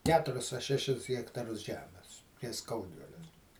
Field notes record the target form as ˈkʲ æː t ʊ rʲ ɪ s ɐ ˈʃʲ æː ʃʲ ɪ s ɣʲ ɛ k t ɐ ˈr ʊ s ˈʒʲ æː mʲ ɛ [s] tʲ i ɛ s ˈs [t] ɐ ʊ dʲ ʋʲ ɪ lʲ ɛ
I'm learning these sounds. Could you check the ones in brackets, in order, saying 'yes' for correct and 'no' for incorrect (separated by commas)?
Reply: yes, no